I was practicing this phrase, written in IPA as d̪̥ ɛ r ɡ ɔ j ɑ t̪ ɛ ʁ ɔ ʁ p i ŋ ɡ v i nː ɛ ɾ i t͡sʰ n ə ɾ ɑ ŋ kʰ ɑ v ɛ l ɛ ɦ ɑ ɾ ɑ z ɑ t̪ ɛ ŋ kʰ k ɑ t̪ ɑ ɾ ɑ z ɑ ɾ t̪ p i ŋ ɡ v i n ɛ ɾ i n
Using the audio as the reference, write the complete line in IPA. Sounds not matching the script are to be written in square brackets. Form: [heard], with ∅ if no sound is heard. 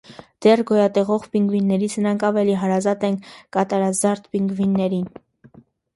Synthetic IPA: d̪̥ ɛ r ɡ ɔ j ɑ t̪ ɛ ʁ ɔ ʁ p i ŋ ɡ v i nː ɛ ɾ i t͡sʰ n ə ɾ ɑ ŋ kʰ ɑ v ɛ l [i] ɦ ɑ ɾ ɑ z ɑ t̪ ɛ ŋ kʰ k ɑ t̪ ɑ ɾ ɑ z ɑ ɾ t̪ p i ŋ ɡ v i [nː] ɛ ɾ i n